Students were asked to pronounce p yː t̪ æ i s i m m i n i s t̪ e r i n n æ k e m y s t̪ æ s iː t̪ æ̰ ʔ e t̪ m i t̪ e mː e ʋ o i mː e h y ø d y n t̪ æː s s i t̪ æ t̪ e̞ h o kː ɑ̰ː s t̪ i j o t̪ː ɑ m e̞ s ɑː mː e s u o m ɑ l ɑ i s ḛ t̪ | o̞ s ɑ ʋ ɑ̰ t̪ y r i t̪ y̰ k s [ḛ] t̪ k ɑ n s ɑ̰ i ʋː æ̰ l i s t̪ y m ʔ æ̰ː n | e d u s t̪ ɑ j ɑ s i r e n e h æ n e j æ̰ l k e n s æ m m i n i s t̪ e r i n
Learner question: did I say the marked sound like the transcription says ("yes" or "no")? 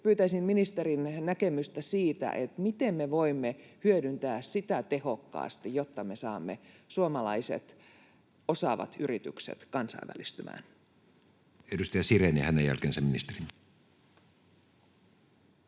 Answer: yes